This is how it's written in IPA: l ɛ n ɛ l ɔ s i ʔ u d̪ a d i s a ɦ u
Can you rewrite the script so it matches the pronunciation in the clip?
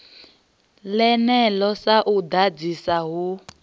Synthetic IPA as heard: l ɛ n ɛ l ɔ s a ʔ u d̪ a d͡z i s a ɦ u